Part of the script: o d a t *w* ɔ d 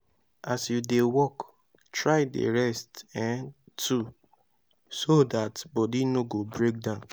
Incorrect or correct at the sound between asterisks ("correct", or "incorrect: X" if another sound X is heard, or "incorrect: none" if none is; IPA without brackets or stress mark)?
incorrect: b